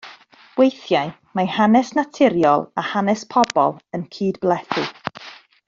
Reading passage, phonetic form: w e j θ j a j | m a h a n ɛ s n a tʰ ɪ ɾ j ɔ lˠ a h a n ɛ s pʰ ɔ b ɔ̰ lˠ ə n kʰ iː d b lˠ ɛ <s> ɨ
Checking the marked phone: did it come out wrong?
yes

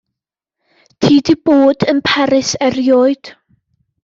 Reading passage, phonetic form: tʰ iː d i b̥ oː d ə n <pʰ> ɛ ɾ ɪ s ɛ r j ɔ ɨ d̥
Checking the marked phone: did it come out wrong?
no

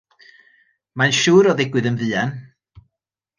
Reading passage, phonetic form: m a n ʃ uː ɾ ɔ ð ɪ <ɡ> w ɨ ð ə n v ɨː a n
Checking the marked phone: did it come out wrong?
no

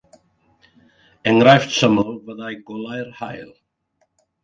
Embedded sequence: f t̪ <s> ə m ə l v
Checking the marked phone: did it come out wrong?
no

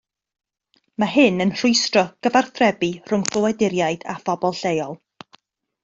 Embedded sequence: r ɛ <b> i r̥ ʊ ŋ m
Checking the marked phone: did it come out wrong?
no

